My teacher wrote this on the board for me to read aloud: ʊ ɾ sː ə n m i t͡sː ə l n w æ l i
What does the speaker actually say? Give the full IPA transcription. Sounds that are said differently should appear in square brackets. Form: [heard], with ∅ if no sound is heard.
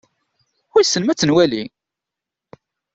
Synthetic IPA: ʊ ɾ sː ə n m [æ] t͡sː ə [∅] n w æ l i